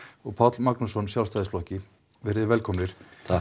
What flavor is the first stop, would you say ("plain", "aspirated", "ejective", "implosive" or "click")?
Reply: aspirated